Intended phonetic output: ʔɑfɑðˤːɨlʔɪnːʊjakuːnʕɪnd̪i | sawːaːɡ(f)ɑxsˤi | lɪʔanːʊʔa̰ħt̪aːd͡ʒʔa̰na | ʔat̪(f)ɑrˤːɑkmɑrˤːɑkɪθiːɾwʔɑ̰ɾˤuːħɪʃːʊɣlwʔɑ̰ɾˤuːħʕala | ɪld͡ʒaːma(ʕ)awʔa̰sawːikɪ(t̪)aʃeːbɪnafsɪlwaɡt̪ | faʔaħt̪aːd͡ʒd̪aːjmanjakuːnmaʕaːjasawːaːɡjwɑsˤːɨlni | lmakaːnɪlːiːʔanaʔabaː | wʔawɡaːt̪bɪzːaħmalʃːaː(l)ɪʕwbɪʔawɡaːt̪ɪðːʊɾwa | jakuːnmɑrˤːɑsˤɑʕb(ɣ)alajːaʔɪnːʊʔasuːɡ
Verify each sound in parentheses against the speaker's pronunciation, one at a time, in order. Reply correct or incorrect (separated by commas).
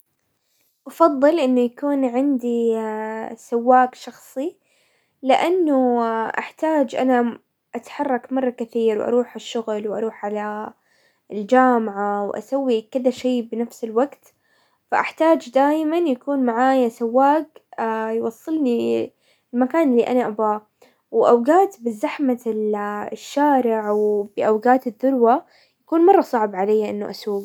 incorrect, incorrect, correct, incorrect, incorrect, incorrect